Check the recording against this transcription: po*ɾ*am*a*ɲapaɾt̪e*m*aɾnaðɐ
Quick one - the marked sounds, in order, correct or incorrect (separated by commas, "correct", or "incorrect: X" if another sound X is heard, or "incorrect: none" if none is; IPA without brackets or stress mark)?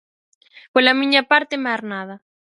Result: incorrect: l, incorrect: i, correct